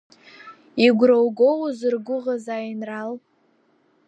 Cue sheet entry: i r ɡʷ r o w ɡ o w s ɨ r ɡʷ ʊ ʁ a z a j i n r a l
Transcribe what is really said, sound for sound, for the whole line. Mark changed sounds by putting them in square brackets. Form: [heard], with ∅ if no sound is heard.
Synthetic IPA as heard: i [∅] ɡʷ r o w ɡ o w [z] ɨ r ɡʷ ʊ ʁ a z a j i n r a l

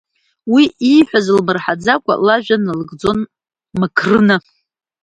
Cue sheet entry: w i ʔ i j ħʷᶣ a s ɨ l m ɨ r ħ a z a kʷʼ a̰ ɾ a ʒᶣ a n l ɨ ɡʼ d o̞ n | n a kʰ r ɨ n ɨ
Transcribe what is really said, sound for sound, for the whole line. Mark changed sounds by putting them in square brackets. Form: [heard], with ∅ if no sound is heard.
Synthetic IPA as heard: w i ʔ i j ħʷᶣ a [z] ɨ l m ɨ r ħ a [d͡z] a kʷʼ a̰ [l] a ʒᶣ a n l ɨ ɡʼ [d͡z] o̞ n | [m] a kʰ r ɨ n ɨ

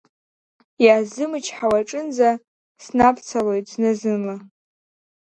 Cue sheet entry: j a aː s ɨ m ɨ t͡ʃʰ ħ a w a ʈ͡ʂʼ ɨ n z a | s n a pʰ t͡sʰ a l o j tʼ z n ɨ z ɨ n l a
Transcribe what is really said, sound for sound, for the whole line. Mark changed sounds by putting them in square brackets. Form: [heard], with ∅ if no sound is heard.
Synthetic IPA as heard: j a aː [z] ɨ m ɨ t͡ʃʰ ħ a w a ʈ͡ʂʼ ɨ n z a | s n a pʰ t͡sʰ a l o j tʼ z n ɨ z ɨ n l a

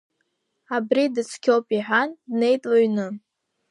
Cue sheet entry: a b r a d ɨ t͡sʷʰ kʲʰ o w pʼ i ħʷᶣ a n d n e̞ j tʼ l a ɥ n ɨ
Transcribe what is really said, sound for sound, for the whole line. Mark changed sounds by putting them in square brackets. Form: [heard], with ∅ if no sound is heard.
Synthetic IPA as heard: a b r [i] d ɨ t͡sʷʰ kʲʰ o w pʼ i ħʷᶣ a n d n e̞ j tʼ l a ɥ n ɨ

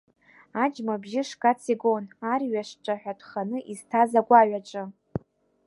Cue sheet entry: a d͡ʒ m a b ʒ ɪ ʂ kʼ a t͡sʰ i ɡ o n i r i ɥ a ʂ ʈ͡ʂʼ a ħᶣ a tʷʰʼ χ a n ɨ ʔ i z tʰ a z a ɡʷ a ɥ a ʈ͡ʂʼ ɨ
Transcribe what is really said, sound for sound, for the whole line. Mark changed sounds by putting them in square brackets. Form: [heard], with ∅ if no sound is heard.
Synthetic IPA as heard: a d͡ʒ m a b ʒ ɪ ʂ kʼ a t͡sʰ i ɡ o n [a] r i ɥ a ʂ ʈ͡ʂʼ a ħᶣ a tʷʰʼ χ a n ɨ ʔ i z tʰ a z a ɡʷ a ɥ a ʈ͡ʂʼ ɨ

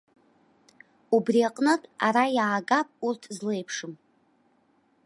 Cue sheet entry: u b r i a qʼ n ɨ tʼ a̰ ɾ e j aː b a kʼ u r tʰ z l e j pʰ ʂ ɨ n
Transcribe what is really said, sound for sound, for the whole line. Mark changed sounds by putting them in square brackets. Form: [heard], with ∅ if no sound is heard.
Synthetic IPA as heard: u b r i a qʼ n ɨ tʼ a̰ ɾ [a] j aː [ɡ] a [pʼ] u r tʰ z l e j pʰ ʂ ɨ [m]

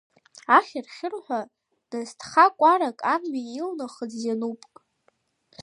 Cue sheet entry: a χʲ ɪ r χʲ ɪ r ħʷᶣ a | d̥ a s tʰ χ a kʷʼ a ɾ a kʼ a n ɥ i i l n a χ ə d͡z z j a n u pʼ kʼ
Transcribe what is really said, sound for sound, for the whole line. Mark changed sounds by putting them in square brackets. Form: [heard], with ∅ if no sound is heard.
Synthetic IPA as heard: a χʲ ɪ r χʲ ɪ r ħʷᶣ a | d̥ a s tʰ χ a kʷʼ a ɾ a kʼ a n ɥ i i l n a χ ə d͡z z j a n u pʼ kʼ

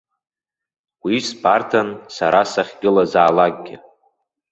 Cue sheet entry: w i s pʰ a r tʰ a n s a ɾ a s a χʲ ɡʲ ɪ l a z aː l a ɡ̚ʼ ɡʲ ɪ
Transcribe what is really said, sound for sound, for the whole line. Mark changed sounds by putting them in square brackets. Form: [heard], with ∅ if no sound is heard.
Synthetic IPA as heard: w i s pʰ a r tʰ a n s a ɾ a s a χʲ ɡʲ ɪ l a z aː l a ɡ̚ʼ ɡʲ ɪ

